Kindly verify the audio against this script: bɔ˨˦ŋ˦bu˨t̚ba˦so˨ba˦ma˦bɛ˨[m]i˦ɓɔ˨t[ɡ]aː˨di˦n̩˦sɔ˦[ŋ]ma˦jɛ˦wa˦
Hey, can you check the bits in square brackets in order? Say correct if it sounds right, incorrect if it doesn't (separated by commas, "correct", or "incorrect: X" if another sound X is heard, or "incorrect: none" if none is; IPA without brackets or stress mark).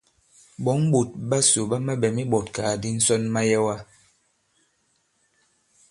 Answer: correct, incorrect: k, incorrect: n